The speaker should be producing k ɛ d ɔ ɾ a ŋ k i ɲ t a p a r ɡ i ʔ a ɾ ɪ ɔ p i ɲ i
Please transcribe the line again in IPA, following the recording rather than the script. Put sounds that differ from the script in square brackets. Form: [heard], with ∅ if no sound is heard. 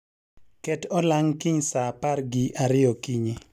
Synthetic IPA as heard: k ɛ [t] ɔ [l] a ŋ k i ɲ [s] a p a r ɡ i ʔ a ɾ ɪ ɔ [k] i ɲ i